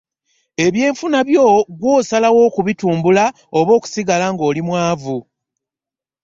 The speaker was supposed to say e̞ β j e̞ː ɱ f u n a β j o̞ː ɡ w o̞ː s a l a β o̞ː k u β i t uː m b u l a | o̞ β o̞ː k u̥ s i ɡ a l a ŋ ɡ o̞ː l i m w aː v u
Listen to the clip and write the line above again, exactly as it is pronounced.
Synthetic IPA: e̞ β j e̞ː ɱ f u n a β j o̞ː ɡ w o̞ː s a l a w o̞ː k u β i t uː m b u l a | o̞ β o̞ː k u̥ s i ɡ a l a ŋ ɡ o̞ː l i m w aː v u

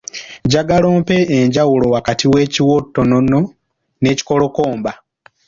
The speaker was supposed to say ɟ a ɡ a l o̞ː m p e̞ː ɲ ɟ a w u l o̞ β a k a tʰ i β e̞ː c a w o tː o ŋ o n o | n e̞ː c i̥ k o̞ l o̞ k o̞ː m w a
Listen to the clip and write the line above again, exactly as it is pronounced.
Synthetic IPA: ɟ a ɡ a l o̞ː m p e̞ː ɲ ɟ a w u l o̞ w a k a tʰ i w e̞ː c i w o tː o n o n o | n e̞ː c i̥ k o̞ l o̞ k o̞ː m b a

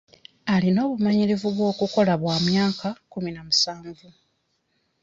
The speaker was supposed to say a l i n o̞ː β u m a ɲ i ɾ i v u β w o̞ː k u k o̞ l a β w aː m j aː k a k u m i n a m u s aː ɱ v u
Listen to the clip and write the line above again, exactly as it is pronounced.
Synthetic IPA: a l i n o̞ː β u m a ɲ i ɾ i v u β w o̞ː k u k o̞ l a β w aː m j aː k a k u m i n a m u s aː ɱ v u

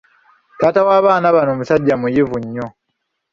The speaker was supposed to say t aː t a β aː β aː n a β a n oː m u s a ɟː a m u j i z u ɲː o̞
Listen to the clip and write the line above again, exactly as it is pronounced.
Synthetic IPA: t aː t a w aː β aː n a β a n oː m u s a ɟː a m u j i v u ɲː o̞

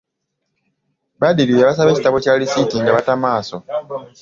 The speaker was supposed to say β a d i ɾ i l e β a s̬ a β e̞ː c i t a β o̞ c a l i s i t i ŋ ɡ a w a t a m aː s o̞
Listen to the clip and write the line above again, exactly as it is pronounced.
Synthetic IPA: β a d i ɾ i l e β a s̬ a β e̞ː c i t a β o̞ c a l i s i t i ŋ ɡ a β a t a m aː s o̞

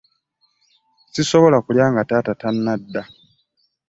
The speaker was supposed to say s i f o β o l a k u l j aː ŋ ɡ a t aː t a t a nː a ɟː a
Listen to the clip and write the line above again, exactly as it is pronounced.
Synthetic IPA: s i s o β o l a k u l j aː ŋ ɡ a t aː t a t a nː a dː a

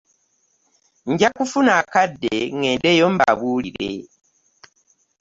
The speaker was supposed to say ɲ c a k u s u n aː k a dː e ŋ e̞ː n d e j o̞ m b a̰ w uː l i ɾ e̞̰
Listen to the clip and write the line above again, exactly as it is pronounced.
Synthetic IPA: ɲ ɟ a k u f u n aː k a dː e ŋ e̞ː n d e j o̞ m b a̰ β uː l i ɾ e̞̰

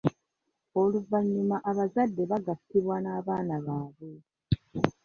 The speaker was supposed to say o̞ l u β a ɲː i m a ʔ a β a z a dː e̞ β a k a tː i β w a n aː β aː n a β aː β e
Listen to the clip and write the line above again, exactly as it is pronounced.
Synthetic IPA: o̞ l u v a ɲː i m a ʔ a β a z a dː e̞ β a ɡ a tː i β w a n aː β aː n a β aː β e

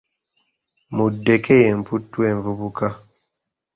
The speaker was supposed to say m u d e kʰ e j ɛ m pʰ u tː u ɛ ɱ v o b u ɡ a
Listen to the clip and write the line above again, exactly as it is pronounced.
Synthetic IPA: m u d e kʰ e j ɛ m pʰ u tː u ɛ ɱ v u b u k a

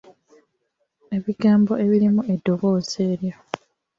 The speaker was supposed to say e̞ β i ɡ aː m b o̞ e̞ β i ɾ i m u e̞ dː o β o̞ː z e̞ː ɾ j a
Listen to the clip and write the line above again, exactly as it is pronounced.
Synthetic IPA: e̞ β i ɡ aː m b o̞ e̞ β i ɾ i m u e̞ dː o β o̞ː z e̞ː ɾ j a

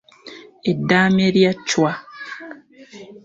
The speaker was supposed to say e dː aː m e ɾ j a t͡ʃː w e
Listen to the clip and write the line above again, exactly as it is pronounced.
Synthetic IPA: e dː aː m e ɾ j a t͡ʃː w a

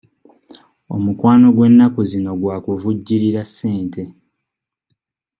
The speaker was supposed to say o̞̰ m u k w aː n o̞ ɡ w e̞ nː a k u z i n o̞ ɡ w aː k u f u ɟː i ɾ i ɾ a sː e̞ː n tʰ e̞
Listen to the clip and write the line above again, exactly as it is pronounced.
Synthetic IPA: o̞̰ m u k w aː n o̞ ɡ w e̞ nː a k u z i n o̞ ɡ w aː k u v u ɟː i ɾ i ɾ a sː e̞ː n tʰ e̞

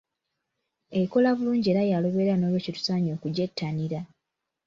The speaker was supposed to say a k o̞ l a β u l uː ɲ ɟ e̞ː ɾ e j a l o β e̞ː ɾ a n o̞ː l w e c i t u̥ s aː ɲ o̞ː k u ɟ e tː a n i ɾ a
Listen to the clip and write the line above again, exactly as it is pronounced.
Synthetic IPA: e k o̞ l a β u l uː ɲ ɟ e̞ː ɾ a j a l o β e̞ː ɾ a n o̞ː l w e c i t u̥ s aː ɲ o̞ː k u ɟ e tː a n i ɾ a

